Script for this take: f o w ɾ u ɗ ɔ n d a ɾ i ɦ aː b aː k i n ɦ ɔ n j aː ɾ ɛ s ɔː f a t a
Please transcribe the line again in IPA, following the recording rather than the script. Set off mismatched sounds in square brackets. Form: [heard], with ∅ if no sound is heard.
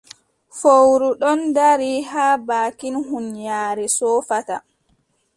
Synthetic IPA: f o w ɾ u ɗ ɔ n d a ɾ i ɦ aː b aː k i n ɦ [u] n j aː ɾ ɛ s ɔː f a t a